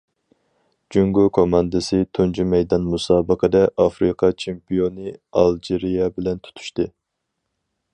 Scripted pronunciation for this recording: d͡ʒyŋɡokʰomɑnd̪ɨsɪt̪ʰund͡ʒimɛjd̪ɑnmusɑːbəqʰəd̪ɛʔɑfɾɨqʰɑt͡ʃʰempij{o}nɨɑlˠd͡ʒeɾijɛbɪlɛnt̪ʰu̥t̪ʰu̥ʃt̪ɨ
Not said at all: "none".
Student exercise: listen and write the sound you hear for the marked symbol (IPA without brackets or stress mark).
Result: o